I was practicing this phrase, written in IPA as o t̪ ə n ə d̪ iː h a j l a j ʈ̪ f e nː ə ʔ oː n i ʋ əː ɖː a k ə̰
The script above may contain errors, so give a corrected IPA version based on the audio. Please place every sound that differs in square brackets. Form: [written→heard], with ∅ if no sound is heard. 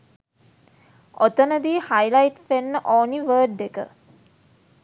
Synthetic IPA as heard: o t̪ ə n ə d̪ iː h a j l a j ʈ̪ f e nː ə ʔ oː n i ʋ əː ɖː [a→e] k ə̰